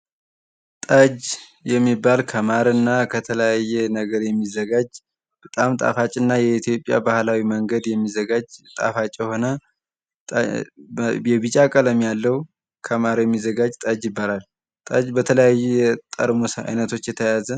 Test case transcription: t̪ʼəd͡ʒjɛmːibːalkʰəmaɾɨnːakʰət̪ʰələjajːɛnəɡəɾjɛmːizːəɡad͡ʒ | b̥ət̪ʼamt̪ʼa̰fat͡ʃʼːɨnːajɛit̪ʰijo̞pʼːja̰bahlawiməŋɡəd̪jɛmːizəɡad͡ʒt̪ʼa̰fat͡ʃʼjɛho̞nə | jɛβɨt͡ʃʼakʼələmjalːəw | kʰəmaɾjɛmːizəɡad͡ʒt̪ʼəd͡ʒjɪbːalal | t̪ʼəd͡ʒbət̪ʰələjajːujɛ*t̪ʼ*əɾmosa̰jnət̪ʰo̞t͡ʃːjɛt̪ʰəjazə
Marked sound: correct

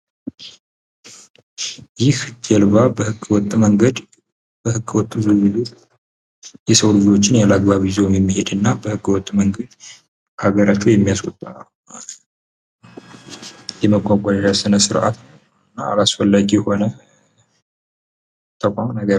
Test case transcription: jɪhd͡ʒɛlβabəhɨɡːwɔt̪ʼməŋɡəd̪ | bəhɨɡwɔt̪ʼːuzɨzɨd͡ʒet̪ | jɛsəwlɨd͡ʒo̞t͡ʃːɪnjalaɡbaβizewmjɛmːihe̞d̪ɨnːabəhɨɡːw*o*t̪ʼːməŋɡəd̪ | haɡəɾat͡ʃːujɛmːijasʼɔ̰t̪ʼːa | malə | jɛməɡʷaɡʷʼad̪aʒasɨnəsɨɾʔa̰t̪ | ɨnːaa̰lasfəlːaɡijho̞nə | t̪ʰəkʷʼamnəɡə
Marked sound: incorrect: ɔ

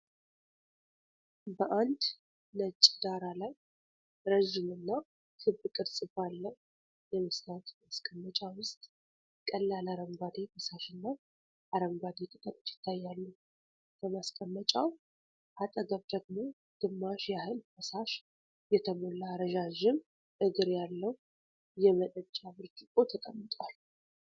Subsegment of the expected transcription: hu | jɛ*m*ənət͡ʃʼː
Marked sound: correct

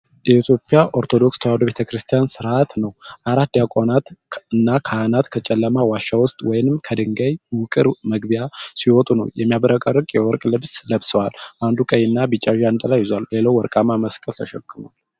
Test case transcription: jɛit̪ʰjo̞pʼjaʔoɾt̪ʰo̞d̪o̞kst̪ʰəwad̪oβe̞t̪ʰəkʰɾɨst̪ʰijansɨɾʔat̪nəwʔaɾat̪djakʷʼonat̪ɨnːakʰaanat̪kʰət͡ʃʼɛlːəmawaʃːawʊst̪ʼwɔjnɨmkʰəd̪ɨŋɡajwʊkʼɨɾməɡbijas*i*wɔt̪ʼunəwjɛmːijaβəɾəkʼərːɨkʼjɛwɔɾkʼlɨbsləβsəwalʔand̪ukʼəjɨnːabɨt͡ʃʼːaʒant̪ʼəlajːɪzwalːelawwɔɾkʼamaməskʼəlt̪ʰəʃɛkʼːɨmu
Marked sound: correct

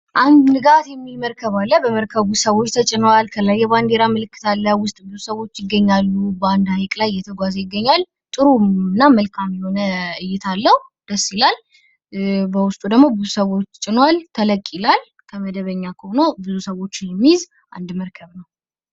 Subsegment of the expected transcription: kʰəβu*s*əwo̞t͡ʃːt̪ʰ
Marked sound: correct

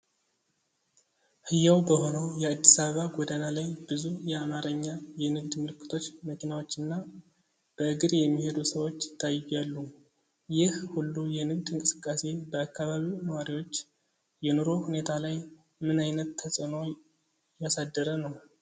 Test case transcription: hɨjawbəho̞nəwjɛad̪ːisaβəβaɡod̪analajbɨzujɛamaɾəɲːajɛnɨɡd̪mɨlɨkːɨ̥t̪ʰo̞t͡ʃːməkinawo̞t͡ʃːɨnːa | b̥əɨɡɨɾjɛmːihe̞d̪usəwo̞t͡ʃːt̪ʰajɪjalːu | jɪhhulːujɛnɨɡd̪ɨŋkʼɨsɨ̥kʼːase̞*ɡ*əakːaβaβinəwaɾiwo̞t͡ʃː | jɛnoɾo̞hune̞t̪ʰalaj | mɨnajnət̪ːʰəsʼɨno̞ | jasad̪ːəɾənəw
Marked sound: incorrect: b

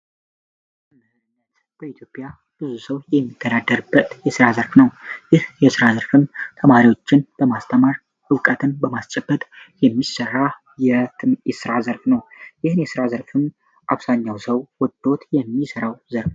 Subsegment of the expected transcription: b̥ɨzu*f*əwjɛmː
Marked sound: incorrect: s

